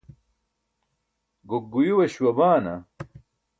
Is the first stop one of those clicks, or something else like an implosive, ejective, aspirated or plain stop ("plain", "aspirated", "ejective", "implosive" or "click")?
plain